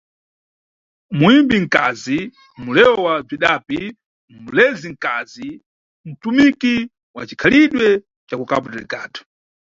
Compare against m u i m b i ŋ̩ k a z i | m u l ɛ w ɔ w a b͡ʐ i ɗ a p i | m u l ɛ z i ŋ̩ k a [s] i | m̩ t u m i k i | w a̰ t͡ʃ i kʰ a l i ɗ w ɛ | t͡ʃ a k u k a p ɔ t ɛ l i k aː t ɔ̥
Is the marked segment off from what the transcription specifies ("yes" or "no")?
yes